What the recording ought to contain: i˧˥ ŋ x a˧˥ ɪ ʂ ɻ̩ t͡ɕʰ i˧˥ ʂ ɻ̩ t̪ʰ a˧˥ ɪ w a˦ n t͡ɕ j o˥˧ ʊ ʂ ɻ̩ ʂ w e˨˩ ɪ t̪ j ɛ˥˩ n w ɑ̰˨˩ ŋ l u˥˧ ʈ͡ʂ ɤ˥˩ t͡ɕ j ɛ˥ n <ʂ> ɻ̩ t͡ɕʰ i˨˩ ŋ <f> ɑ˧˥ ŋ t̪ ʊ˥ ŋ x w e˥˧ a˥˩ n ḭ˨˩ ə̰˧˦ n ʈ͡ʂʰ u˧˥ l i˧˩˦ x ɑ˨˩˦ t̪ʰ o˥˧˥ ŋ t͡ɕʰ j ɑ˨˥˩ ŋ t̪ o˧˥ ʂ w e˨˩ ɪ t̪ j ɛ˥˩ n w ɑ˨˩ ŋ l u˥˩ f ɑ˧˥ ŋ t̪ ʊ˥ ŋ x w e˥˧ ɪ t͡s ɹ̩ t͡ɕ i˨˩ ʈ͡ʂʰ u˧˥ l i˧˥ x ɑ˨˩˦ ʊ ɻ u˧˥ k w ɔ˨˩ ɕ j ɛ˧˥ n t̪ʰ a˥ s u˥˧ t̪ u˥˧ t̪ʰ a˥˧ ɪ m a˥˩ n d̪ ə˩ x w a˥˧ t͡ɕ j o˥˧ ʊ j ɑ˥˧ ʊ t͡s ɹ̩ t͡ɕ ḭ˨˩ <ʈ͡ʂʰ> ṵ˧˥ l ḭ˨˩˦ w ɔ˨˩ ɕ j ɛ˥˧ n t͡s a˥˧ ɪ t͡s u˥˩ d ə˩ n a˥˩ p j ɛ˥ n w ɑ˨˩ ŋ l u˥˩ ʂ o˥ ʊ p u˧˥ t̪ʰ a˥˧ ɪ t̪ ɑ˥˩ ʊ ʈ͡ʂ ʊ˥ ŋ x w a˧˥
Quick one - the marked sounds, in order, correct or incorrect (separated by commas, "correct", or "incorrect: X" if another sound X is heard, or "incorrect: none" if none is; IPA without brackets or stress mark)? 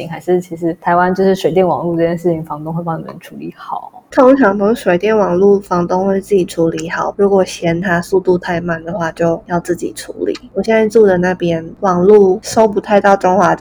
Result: correct, correct, correct